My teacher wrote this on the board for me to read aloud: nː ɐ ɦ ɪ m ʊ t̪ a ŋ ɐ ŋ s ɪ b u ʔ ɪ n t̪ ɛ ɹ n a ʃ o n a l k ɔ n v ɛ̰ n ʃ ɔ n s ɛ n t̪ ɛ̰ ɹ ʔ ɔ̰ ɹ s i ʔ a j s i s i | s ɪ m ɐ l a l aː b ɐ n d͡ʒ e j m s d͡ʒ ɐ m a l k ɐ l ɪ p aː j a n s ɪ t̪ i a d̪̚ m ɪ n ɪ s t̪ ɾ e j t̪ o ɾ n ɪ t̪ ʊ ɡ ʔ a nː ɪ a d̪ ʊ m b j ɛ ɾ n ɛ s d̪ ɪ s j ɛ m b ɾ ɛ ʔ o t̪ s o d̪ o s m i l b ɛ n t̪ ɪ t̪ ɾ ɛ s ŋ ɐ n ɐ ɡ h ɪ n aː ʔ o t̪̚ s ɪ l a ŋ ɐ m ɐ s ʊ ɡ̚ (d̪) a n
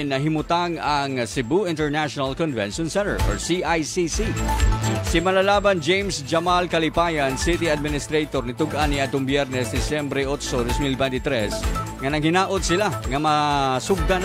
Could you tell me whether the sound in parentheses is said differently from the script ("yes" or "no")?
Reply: no